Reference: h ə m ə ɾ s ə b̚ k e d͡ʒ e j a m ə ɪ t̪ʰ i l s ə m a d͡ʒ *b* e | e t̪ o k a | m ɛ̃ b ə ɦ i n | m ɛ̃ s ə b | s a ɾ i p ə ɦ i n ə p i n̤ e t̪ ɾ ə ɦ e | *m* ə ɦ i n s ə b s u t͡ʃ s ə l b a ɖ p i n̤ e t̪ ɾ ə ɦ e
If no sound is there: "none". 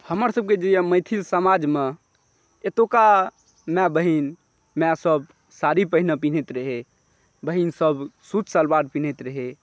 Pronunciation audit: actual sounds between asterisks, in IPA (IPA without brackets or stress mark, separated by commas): m, b